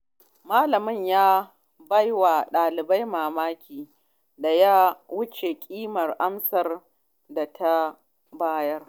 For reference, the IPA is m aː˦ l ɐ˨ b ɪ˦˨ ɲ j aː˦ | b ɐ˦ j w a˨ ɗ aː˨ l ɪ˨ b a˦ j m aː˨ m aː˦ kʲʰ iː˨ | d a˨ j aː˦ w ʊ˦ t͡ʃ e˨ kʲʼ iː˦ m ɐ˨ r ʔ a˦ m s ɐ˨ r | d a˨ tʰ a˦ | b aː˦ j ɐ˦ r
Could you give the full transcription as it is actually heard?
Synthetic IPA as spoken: m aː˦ l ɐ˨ m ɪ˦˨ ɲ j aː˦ | b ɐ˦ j w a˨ ɗ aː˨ l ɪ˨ b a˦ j m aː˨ m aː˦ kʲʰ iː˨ | d a˨ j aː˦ w ʊ˦ t͡ʃ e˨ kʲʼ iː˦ m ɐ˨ r ʔ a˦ m s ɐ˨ r | d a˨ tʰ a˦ | b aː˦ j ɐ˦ r